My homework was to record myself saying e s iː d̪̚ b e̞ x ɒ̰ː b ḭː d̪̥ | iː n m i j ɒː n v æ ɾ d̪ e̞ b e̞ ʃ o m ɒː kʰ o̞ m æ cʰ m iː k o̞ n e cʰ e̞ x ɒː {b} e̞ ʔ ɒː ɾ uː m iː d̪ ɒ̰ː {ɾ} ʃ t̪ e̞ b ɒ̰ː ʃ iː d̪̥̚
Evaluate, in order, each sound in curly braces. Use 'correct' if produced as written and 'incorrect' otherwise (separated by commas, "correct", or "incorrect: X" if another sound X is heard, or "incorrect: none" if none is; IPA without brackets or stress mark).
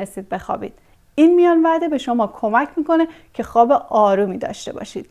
correct, incorrect: none